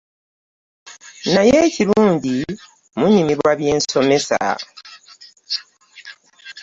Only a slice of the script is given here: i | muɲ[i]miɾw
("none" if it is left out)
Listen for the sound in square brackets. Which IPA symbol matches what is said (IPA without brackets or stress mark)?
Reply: i